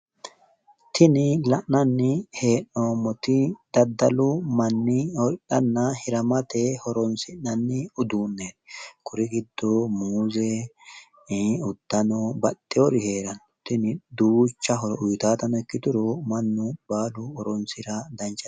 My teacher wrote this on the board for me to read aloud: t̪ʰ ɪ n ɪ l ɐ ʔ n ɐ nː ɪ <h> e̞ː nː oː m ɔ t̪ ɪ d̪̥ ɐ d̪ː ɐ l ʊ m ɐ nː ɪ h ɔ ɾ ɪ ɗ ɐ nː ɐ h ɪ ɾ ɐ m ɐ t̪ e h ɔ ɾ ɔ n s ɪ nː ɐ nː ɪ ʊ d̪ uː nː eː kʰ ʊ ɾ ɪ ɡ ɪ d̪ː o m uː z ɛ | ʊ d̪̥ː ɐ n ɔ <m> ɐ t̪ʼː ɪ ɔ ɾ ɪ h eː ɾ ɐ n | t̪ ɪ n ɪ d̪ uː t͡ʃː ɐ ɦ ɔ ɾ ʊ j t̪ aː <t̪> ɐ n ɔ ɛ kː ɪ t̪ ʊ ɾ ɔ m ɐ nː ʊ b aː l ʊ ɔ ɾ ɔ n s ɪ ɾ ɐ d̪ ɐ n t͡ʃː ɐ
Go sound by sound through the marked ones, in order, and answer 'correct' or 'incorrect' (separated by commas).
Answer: correct, incorrect, correct